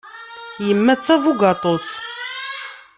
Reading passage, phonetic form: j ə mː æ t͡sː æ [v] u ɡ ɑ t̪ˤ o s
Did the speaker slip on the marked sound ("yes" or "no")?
no